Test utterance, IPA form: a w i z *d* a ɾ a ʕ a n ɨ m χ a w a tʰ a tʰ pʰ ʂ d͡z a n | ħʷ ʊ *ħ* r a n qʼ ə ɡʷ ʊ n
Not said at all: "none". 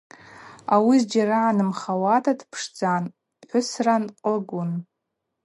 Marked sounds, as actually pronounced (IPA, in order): d͡ʒ, s

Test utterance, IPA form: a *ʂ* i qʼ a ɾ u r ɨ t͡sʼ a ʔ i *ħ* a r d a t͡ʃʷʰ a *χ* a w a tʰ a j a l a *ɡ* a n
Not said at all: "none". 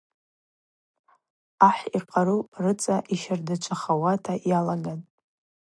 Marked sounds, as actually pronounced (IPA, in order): ħ, ʃ, χ, ɡ

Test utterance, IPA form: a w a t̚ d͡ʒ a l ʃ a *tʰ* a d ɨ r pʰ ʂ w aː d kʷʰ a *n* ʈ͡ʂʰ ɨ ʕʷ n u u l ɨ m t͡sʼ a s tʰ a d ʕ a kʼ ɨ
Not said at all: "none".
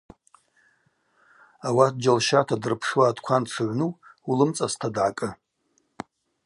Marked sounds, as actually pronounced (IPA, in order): tʰ, n

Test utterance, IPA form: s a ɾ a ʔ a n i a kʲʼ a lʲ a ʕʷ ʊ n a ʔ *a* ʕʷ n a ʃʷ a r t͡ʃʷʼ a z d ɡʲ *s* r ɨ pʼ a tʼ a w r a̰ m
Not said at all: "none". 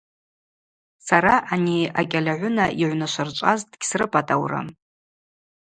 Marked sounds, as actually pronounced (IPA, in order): i, s

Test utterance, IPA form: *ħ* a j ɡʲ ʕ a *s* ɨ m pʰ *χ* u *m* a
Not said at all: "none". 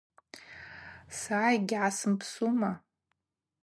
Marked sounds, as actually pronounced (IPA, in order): s, s, s, m

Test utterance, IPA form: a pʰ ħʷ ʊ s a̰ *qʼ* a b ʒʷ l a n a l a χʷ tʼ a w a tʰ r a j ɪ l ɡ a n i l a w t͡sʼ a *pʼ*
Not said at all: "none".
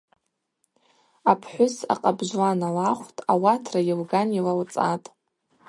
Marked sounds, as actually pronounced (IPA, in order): qʼ, tʼ

